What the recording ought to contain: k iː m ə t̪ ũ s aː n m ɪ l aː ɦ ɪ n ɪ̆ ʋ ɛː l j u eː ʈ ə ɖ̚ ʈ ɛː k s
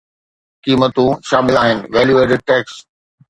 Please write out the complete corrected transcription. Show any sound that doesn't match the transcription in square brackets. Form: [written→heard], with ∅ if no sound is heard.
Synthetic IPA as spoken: k iː m ə t̪ ũ [s→ʃ] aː [n→∅] m ɪ l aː ɦ ɪ n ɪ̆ ʋ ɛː l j u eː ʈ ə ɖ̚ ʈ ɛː k s